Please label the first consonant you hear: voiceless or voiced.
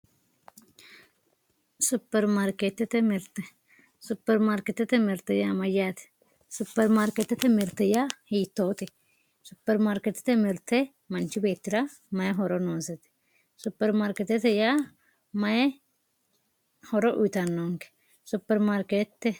voiceless